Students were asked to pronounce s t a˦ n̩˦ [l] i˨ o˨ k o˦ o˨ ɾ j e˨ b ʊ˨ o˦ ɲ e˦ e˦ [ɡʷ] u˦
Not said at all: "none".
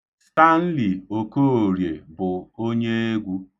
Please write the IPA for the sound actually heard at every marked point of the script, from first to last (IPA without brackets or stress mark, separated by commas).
l, ɡʷ